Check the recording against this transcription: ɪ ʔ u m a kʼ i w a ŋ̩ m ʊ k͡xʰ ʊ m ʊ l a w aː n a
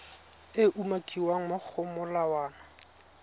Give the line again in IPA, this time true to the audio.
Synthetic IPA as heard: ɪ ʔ u m a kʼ i w a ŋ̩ m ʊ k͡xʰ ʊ m ʊ l a w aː n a